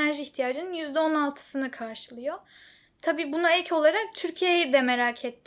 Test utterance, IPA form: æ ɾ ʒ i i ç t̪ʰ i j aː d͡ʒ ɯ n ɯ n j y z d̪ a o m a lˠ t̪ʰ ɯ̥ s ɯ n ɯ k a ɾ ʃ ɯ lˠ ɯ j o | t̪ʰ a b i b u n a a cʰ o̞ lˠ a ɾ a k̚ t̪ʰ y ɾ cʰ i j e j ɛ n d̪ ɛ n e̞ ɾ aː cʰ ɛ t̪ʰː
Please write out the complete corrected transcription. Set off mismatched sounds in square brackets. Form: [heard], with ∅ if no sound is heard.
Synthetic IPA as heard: æ ɾ ʒ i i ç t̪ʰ i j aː d͡ʒ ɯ n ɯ n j y z d̪ [ɛ] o [n] a lˠ t̪ʰ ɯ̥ s ɯ n ɯ [kʰ] a ɾ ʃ ɯ lˠ ɯ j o | t̪ʰ a b [iː] b u n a [ɛ] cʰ o̞ lˠ a ɾ a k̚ t̪ʰ y ɾ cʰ i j e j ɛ [∅] d̪ ɛ [m] e̞ ɾ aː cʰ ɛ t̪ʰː